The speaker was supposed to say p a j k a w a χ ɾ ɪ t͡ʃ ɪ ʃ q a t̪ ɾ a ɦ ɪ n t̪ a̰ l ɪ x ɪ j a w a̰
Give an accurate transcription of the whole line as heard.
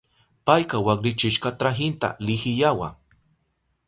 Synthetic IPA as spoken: p a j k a w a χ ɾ ɪ t͡ʃ ɪ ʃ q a t̪ ɾ a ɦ ɪ n t̪ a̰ l ɪ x ɪ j a w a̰

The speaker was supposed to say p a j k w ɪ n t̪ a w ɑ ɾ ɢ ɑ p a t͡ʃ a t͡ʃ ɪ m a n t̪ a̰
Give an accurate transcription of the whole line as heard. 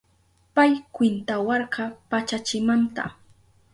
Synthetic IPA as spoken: p a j k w ɪ n t̪ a w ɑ ɾ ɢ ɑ p a t͡ʃ a t͡ʃ ɪ m a n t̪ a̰

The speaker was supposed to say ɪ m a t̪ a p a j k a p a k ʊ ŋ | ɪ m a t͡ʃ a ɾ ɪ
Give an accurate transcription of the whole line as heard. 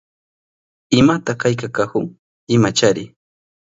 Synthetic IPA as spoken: ɪ m a t̪ a k a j k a k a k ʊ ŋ | ɪ m a t͡ʃ a ɾ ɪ

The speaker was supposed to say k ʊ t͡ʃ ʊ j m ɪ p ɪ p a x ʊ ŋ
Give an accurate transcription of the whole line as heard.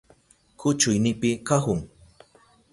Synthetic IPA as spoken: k ʊ t͡ʃ ʊ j n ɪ p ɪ k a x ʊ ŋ

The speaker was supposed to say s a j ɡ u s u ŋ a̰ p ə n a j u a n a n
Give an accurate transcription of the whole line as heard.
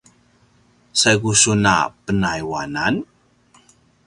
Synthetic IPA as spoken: s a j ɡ u s u n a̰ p ə n a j w a n a n

